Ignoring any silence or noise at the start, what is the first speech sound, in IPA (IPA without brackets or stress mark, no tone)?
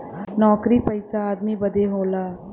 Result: n